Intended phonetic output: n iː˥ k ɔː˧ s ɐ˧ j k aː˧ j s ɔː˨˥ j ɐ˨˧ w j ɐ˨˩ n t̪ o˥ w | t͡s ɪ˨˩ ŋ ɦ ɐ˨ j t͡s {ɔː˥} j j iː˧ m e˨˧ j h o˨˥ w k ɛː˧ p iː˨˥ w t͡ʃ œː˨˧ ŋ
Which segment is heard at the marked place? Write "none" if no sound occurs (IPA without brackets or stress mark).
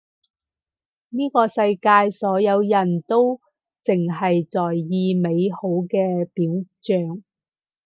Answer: ɔː˨˩